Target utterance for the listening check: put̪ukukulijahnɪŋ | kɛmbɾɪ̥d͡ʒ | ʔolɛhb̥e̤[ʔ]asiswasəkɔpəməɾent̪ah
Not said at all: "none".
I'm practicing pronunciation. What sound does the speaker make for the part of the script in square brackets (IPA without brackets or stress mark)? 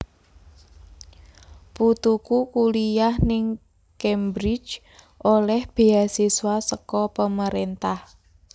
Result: none